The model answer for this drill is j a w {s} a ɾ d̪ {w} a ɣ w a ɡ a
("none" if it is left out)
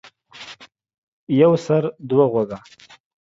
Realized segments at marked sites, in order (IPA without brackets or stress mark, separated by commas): s, w